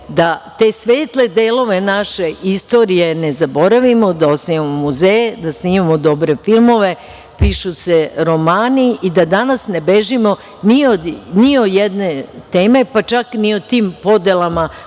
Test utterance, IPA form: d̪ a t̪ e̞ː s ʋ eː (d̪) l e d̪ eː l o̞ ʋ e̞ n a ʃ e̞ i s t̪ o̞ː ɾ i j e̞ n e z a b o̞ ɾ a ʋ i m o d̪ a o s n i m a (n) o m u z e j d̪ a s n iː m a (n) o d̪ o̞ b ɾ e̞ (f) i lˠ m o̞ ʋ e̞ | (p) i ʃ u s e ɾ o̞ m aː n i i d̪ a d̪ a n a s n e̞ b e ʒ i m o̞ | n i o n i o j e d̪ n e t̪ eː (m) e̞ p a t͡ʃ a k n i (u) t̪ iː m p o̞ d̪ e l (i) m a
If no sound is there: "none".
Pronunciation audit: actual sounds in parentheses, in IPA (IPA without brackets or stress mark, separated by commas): t̪, m, m, f, p, m, o, a